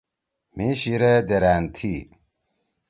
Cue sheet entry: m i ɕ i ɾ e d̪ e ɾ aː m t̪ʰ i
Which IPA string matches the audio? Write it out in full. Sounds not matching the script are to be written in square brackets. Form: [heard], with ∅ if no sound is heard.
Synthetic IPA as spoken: m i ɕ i ɾ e d̪ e ɾ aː [n] t̪ʰ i